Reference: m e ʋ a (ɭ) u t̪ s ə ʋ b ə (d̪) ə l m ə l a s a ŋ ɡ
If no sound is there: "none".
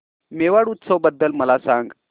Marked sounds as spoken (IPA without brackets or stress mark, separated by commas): ɽ, d̪ː